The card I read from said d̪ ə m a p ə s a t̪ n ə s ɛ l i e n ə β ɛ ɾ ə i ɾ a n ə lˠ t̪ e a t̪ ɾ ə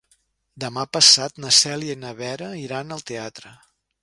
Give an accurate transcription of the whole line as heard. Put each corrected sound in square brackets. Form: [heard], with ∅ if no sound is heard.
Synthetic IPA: d̪ ə m a p ə s a t̪ n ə s ɛ l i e n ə β ɛ ɾ ə i ɾ a n ə lˠ t̪ e a t̪ ɾ ə